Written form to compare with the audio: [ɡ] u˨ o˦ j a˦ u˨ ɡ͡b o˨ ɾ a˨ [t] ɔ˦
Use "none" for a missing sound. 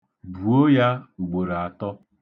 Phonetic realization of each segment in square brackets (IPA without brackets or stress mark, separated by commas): b, t